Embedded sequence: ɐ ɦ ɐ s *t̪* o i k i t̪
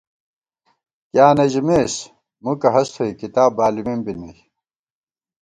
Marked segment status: incorrect: t̪ʰ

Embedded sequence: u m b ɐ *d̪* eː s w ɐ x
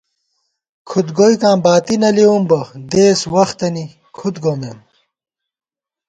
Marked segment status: correct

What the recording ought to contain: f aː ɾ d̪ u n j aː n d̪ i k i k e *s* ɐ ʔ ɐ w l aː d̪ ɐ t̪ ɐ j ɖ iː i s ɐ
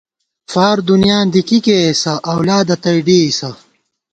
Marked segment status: correct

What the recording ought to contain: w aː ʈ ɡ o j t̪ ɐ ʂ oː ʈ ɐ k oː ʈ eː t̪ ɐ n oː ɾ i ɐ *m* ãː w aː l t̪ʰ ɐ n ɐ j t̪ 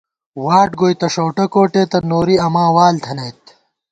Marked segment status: correct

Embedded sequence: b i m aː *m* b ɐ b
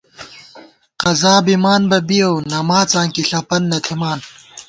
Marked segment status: incorrect: n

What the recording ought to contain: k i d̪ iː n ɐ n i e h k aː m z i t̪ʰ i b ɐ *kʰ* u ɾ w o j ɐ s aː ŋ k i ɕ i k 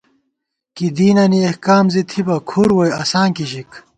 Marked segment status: correct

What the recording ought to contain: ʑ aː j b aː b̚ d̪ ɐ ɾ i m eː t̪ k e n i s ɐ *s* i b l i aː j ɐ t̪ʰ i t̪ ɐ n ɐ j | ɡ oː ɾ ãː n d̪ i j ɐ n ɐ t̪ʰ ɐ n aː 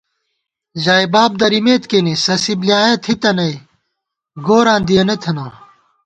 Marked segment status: correct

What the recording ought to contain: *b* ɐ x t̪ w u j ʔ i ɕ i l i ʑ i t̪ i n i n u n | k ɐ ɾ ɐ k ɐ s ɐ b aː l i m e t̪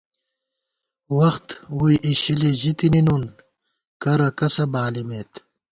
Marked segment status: incorrect: w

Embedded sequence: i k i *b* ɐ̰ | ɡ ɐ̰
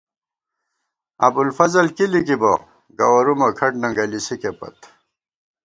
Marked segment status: correct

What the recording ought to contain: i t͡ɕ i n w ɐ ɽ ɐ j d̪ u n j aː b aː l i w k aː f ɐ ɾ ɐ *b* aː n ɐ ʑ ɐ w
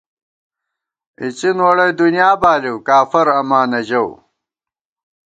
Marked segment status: incorrect: m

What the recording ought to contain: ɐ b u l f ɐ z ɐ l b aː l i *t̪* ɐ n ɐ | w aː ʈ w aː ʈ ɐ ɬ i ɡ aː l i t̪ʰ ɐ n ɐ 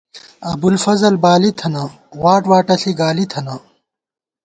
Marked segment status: incorrect: t̪ʰ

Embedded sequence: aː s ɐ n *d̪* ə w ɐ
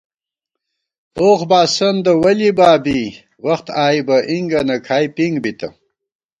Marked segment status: correct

